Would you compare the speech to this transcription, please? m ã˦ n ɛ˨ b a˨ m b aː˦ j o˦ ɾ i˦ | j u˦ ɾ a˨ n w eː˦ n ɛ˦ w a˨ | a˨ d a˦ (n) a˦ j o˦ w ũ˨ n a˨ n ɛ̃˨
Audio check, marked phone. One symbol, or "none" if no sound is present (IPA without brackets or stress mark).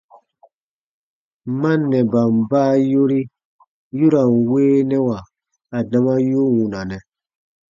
m